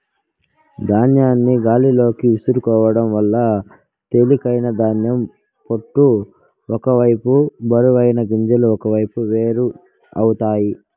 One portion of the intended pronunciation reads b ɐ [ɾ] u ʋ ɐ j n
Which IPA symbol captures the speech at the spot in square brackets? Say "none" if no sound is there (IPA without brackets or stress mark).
ɾ